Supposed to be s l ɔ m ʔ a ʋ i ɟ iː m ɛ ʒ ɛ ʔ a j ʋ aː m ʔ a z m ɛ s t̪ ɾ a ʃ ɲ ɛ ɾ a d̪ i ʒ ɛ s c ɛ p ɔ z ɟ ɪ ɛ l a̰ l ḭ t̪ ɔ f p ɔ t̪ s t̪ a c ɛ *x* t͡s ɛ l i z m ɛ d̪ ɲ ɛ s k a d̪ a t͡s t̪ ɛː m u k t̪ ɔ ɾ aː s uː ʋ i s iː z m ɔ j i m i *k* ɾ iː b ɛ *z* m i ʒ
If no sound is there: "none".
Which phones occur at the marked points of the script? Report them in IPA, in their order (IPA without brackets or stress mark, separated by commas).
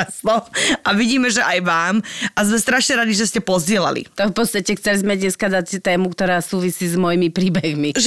x, p, ɣ